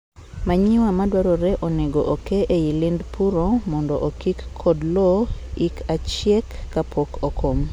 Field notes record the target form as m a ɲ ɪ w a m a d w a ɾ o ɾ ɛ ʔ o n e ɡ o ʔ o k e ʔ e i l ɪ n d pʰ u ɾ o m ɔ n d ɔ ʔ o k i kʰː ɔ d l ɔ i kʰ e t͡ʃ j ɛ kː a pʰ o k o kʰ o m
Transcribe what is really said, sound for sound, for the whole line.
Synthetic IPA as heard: m a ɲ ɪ w a m a d w a ɾ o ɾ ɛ ʔ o n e ɡ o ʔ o k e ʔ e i l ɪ n d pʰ u ɾ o m ɔ n d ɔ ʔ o k i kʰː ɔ d l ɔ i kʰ a t͡ʃ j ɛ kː a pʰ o k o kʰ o m